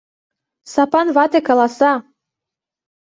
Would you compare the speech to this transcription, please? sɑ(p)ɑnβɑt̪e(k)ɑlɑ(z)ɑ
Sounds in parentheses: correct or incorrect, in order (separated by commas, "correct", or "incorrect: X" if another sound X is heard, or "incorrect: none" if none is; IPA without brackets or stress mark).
correct, correct, incorrect: s